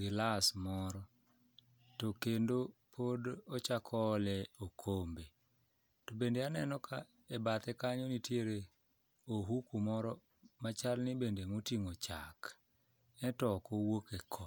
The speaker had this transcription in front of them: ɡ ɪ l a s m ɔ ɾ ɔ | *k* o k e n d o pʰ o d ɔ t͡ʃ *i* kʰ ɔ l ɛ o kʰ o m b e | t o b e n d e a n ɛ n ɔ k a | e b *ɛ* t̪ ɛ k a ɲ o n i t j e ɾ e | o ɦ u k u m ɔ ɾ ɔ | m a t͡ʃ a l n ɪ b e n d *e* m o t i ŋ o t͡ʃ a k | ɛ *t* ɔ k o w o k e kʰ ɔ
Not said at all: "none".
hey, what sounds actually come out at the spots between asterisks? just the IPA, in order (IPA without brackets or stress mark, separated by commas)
t, a, a, e, t